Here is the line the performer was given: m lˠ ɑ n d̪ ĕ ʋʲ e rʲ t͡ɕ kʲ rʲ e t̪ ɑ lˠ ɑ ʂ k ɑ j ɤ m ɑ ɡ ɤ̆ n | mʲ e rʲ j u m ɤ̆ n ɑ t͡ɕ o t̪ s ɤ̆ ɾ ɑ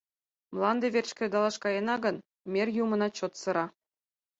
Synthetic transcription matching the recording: m lˠ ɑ n d̪ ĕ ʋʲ e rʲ t͡ɕ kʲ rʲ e d̪ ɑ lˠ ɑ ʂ k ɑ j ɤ n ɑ ɡ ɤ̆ n | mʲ e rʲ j u m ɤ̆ n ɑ t͡ɕ o t̪ s ɤ̆ ɾ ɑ